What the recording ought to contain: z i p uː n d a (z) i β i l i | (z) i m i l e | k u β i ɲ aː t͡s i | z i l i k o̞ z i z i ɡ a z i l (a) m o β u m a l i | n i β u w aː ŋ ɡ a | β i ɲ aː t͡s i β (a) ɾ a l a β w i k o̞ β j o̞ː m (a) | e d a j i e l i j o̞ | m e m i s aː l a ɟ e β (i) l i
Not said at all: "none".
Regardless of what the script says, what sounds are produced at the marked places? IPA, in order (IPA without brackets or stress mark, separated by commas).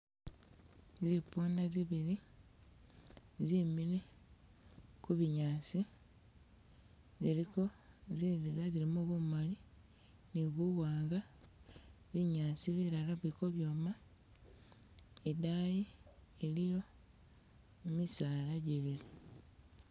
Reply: z, z, i, i, a, i